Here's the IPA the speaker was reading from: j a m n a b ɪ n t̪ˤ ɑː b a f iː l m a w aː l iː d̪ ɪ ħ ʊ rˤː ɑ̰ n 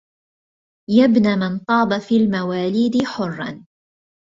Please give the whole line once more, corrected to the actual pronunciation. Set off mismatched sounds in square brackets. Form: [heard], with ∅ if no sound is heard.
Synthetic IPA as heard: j a [b] n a [m] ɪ n t̪ˤ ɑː b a f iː l m a w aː l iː d̪ ɪ ħ ʊ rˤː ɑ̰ n